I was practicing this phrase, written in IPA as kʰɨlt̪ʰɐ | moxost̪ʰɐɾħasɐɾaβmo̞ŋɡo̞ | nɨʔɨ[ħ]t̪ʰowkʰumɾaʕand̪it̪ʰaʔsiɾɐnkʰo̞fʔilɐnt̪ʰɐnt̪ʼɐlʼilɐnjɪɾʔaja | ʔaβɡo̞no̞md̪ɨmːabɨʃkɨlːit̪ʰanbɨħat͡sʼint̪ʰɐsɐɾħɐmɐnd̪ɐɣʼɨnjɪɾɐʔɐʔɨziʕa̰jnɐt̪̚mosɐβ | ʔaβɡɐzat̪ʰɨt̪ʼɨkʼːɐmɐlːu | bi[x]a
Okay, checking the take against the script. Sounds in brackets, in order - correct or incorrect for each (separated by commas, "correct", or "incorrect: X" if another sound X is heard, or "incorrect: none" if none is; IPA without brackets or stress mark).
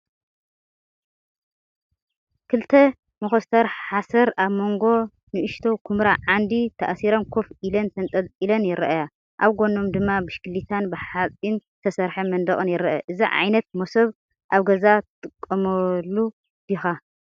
incorrect: ʃ, correct